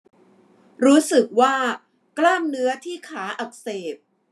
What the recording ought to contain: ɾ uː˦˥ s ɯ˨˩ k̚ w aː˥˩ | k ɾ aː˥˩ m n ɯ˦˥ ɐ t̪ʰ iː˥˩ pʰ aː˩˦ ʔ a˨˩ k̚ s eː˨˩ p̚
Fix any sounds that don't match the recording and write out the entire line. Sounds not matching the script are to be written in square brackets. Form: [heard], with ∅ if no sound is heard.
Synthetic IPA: ɾ uː˦˥ s ɯ˨˩ k̚ w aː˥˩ | k [l] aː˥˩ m n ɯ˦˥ ɐ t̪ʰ iː˥˩ [kʰ] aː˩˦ ʔ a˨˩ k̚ s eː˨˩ p̚